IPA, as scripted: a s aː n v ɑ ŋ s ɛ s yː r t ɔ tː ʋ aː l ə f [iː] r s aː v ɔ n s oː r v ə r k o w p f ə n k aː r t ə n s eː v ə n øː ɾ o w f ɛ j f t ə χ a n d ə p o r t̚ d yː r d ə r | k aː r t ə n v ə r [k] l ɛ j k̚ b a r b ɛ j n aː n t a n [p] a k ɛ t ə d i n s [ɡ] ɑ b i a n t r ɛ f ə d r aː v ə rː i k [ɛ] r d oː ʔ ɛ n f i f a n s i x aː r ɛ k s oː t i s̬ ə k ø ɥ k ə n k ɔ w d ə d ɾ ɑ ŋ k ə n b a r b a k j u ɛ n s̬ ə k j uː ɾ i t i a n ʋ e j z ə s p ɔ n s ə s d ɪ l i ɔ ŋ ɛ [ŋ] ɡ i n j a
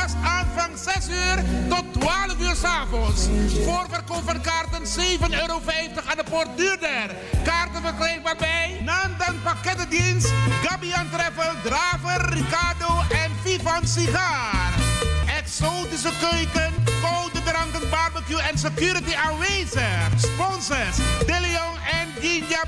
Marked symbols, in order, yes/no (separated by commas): no, yes, yes, yes, no, no